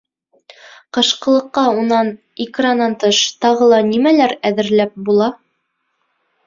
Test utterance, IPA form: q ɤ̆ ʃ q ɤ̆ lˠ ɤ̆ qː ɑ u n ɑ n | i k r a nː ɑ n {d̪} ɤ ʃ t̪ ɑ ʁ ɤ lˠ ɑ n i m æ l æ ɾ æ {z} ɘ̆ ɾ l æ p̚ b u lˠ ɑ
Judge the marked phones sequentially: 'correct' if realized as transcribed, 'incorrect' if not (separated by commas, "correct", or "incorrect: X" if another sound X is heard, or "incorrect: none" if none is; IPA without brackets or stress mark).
incorrect: t̪, incorrect: ð